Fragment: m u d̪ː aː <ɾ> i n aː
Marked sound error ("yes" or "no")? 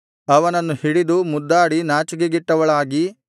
yes